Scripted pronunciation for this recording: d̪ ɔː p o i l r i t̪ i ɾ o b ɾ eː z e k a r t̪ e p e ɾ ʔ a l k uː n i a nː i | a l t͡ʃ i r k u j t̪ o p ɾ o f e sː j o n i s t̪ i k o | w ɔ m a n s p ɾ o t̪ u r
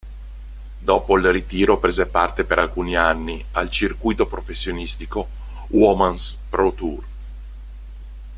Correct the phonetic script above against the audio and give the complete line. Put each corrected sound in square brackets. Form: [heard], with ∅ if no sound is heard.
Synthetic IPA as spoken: d̪ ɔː p o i l r i t̪ [iː] ɾ o [p] ɾ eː z e [p] a r t̪ e p e ɾ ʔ a l k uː n i a nː i | a l t͡ʃ i r k u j t̪ o p ɾ o f e sː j o n i s t̪ i k o | w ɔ m a n s p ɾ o t̪ u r